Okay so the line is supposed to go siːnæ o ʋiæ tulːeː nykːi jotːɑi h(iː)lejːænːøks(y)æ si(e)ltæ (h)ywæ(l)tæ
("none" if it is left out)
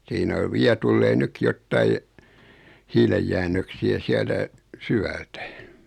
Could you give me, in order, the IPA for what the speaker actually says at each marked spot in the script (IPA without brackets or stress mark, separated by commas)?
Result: iː, i, æ, s, l